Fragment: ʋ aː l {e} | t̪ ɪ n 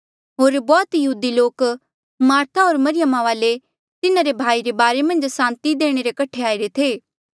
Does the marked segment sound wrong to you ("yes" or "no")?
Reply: no